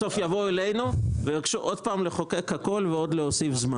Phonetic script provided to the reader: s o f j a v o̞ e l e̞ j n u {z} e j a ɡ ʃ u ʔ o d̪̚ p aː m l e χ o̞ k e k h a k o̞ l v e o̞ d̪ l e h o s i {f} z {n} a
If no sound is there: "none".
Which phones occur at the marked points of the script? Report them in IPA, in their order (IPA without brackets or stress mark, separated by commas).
v, f, m